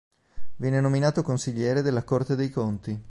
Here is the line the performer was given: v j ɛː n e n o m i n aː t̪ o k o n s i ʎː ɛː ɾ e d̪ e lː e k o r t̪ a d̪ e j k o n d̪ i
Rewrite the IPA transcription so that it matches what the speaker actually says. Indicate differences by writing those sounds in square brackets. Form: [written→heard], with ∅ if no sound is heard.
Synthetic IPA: v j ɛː n e n o m i n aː t̪ o k o n s i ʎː ɛː ɾ e d̪ e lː [e→a] k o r t̪ [a→e] d̪ e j k o n [d̪→t̪] i